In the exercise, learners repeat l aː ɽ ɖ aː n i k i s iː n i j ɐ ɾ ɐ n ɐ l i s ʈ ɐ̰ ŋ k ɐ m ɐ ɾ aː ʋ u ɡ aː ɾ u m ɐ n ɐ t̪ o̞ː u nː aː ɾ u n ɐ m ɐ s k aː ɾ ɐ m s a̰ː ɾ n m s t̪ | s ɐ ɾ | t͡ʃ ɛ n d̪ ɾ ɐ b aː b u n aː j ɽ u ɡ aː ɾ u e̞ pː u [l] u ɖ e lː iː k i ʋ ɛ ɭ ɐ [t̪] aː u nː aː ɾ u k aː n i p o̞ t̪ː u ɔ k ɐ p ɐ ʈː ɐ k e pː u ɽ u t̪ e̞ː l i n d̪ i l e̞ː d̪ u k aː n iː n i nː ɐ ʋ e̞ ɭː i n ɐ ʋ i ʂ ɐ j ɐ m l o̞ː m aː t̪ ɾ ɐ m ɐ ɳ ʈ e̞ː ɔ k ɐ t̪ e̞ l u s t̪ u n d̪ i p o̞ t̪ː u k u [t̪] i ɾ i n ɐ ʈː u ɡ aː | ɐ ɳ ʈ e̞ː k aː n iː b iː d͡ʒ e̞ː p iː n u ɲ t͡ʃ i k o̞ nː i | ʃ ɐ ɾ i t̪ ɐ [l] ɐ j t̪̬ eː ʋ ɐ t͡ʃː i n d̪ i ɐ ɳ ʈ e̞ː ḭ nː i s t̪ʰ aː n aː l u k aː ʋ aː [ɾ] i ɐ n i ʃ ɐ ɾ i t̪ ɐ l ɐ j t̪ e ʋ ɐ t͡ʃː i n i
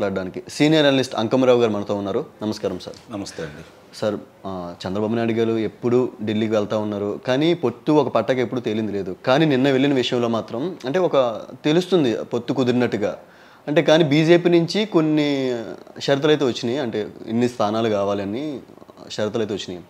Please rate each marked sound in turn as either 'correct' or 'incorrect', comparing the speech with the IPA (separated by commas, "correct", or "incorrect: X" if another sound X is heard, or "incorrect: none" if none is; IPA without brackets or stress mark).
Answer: incorrect: ɽ, correct, incorrect: d̪, correct, incorrect: l